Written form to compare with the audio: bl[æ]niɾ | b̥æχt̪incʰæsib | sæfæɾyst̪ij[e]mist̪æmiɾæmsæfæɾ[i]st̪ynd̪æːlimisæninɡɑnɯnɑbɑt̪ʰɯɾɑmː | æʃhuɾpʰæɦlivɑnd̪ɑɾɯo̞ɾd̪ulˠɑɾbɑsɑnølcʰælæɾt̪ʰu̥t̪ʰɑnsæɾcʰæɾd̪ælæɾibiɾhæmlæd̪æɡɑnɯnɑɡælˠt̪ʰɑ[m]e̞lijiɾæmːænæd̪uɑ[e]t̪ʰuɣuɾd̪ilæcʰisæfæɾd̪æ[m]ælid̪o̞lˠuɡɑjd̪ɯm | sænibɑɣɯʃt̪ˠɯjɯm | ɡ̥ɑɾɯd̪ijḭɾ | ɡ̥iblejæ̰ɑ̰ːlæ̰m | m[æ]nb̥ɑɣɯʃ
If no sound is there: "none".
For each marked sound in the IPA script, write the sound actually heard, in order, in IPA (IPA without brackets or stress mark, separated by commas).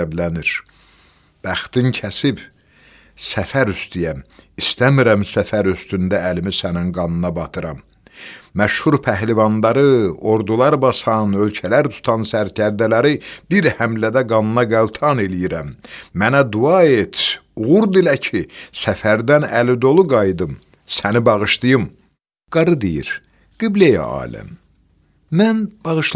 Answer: æ, æ, y, n, e, n, æ